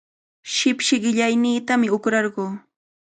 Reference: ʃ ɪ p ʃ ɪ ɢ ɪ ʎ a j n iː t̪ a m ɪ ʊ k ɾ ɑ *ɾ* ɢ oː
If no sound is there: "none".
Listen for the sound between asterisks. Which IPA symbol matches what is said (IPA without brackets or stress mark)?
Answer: ɾ